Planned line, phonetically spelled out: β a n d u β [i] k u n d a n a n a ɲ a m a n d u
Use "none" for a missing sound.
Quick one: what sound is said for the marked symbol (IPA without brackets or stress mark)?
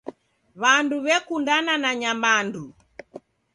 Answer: ɛ